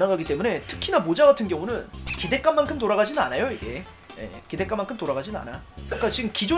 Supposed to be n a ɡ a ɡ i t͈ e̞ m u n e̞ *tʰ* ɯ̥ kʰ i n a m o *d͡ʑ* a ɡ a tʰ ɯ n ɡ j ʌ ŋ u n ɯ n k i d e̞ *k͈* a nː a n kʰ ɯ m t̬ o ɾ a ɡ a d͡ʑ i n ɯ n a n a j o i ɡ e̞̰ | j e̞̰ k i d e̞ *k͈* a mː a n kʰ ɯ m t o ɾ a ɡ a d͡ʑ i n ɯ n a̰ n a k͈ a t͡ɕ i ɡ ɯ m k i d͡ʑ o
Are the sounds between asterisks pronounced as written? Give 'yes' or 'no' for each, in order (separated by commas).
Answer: yes, yes, yes, yes